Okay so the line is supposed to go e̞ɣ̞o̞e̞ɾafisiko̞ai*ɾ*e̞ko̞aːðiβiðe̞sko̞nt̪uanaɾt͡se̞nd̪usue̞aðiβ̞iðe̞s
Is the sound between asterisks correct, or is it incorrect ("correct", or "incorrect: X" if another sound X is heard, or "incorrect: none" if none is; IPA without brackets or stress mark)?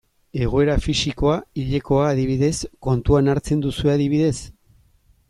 incorrect: ʎ